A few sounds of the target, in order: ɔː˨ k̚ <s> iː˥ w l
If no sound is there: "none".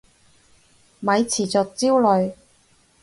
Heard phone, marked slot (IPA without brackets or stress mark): t͡s